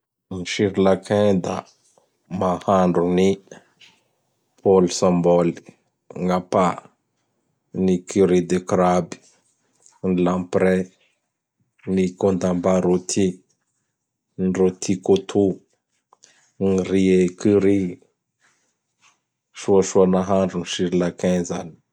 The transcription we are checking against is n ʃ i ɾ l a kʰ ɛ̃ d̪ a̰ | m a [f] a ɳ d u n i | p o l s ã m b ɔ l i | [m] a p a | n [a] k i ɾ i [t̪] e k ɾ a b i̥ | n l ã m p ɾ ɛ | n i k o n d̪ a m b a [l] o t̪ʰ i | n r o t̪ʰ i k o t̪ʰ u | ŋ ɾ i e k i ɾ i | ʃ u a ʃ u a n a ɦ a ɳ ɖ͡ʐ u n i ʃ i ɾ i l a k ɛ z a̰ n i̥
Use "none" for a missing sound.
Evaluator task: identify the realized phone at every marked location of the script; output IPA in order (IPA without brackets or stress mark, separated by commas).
h, ŋ, i, d̪, ɾ